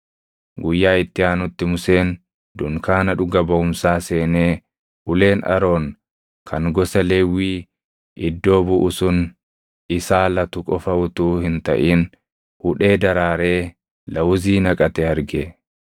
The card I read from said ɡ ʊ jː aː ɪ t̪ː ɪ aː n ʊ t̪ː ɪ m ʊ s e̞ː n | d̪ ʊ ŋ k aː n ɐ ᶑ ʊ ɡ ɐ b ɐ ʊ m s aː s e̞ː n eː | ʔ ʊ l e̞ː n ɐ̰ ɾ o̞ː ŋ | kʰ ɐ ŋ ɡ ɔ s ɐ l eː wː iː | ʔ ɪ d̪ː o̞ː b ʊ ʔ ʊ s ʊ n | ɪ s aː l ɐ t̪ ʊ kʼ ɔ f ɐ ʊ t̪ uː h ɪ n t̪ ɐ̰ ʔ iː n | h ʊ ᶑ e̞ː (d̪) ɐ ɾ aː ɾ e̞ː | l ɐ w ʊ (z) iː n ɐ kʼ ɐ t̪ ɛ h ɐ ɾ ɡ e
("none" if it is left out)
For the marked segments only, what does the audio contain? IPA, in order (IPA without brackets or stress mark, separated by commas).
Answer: d̪, z